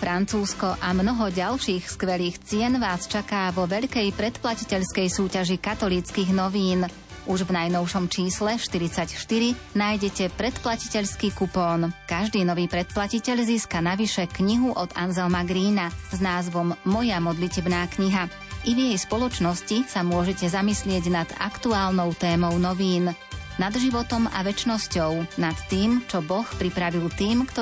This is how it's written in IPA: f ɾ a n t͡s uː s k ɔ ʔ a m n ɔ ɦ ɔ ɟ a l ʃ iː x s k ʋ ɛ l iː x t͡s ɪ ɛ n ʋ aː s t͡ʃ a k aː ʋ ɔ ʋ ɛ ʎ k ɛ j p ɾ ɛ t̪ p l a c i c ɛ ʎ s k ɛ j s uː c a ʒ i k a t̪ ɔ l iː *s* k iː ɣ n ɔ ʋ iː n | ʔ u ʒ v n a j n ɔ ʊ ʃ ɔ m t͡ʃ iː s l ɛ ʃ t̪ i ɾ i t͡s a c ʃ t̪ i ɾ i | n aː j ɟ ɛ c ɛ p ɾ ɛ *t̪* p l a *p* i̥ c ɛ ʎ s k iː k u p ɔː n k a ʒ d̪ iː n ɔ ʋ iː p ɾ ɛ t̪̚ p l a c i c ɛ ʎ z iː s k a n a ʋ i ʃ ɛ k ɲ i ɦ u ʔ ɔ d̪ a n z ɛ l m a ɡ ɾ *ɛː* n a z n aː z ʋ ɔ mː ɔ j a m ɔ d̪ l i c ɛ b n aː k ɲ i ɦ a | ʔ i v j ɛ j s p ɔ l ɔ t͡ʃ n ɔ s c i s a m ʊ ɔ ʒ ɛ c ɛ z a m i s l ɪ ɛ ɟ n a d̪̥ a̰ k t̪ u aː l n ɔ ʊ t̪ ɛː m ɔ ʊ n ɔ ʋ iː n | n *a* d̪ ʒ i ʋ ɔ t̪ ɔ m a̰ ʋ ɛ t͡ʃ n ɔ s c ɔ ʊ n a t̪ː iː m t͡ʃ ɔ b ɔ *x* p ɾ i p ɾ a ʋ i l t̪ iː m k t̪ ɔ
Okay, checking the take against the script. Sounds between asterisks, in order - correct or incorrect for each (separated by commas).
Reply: incorrect, correct, incorrect, incorrect, correct, correct